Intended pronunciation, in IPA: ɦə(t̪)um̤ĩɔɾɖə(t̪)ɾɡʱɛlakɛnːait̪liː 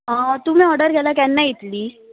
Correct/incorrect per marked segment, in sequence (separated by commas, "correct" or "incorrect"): correct, incorrect